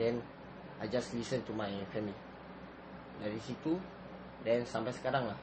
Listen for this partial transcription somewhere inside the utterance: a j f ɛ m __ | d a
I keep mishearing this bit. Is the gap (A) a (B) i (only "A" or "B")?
B